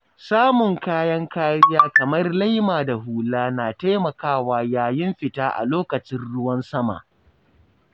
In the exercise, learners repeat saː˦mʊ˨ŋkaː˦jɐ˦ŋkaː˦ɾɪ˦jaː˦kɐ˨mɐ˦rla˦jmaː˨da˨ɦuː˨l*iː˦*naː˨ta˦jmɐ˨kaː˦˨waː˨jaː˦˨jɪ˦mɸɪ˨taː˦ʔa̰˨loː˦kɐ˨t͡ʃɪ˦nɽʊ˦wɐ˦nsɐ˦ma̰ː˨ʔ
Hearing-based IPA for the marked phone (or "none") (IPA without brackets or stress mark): aː˦